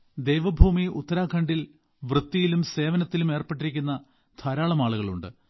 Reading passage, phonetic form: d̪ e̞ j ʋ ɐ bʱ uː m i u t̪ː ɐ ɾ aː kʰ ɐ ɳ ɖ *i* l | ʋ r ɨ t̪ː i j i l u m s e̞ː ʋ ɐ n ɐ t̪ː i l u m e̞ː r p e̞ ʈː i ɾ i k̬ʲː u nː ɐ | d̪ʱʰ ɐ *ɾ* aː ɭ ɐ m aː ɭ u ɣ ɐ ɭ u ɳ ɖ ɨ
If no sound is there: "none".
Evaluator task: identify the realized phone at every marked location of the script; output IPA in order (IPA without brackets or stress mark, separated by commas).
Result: i, ɾ